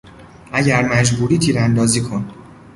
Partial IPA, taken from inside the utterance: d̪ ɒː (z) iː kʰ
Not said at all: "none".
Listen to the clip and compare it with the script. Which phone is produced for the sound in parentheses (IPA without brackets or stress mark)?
z